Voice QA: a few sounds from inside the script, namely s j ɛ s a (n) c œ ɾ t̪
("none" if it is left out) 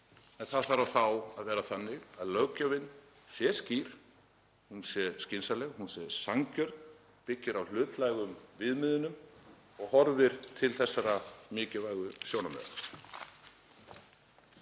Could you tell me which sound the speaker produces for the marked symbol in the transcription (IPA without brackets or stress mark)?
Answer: ŋ